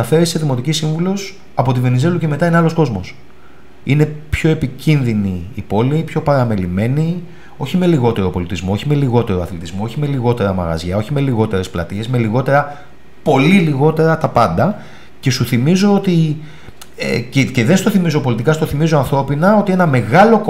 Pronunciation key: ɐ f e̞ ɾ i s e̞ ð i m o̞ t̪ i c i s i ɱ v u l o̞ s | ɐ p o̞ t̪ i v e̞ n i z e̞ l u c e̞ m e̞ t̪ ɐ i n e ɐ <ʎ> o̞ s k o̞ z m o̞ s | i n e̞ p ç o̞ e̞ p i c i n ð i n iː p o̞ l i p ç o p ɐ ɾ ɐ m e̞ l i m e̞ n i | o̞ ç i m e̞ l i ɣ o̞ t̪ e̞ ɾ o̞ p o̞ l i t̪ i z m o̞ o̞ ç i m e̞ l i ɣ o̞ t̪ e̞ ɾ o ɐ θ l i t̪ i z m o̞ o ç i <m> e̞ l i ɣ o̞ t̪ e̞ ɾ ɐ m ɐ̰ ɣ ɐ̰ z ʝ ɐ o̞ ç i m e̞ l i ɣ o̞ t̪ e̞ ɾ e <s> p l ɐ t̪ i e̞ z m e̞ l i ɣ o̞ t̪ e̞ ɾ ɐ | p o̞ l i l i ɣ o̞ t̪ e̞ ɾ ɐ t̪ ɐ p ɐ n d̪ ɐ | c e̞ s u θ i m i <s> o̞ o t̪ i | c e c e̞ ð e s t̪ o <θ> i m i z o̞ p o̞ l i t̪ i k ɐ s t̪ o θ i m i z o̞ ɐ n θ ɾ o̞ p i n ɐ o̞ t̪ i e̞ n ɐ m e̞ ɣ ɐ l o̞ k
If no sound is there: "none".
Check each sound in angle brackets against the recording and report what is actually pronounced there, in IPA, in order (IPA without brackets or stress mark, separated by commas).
l, m, s, z, θ